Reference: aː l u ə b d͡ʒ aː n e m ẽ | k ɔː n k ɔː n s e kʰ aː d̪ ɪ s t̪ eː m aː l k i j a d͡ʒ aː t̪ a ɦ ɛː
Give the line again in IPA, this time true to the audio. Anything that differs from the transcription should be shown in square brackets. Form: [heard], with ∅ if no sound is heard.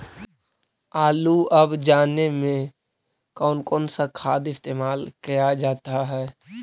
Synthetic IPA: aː l u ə b d͡ʒ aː n e m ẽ | k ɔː n k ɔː n s [a] kʰ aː d̪ ɪ s t̪ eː m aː l k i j a d͡ʒ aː t̪ a ɦ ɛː